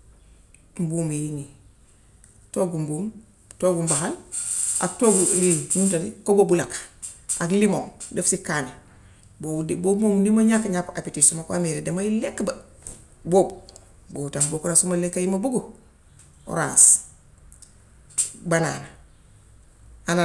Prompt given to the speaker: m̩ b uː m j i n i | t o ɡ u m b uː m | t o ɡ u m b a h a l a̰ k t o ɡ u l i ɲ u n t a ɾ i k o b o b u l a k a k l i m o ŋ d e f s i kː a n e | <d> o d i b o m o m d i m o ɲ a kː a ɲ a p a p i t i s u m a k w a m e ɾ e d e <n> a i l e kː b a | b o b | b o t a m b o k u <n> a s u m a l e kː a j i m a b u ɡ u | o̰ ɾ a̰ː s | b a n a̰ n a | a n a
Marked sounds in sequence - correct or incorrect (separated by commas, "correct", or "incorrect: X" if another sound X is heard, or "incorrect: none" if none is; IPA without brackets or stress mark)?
incorrect: b, incorrect: m, correct